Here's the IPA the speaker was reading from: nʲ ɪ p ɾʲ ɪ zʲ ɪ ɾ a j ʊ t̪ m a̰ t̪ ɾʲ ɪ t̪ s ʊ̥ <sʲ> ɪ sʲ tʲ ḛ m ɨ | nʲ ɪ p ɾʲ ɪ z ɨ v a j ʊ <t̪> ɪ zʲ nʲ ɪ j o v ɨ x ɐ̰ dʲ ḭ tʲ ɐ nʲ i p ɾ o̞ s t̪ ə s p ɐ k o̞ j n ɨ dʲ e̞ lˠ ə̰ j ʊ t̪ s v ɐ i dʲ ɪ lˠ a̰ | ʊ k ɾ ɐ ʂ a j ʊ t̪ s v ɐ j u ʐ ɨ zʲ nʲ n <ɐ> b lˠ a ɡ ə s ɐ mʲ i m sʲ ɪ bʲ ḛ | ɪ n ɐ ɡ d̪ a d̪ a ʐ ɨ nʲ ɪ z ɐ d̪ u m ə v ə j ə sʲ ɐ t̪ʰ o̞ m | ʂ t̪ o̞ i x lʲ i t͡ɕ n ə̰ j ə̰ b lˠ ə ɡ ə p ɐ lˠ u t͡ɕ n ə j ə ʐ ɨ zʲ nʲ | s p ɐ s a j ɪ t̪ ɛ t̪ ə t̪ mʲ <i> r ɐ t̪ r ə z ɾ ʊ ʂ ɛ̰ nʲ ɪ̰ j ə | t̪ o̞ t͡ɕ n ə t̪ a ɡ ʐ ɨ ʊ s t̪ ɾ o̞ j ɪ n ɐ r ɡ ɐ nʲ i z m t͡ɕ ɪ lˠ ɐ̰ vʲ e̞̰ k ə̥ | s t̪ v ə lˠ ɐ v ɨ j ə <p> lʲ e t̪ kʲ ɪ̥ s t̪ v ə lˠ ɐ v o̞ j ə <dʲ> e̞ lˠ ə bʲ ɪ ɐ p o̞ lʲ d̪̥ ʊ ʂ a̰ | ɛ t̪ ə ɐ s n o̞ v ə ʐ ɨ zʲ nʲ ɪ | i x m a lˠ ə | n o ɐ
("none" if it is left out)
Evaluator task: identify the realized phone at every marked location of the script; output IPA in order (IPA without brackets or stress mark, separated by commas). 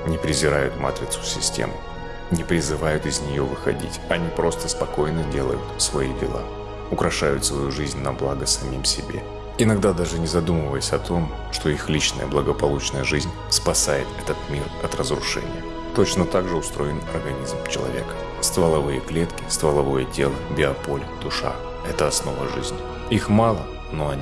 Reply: sʲ, t̪, ɐ, i, k, tʲ